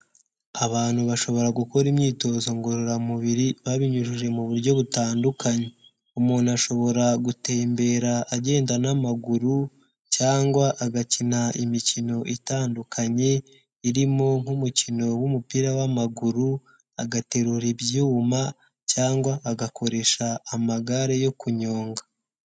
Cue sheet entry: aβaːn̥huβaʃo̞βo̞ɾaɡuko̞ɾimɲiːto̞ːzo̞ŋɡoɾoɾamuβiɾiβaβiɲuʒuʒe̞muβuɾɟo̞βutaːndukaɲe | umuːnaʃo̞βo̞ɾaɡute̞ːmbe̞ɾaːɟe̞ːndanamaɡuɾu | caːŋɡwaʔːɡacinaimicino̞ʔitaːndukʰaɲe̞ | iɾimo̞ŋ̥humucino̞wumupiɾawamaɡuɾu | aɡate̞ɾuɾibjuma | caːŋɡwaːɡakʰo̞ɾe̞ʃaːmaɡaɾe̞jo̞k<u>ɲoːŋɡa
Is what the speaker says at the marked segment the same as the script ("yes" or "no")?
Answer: yes